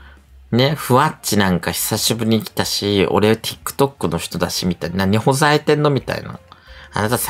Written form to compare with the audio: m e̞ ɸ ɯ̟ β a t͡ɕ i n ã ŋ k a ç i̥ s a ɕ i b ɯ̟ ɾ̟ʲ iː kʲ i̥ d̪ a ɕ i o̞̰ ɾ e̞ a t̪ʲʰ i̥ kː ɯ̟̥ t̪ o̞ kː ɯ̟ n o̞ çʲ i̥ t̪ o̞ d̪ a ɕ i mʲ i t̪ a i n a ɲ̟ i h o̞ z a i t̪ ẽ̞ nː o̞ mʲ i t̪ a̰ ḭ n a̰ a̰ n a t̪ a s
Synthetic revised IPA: n e̞ ɸ ɯ̟ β a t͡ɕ i n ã ŋ k a ç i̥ s a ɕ i b ɯ̟ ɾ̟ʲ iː kʲ i̥ t̪ a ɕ i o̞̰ ɾ e̞ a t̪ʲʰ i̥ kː ɯ̟̥ t̪ o̞ kː ɯ̟ n o̞ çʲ i̥ t̪ o̞ d̪ a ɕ i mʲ i t̪ a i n a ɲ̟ i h o̞ z a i t̪ ẽ̞ nː o̞ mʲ i t̪ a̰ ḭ n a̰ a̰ n a t̪ a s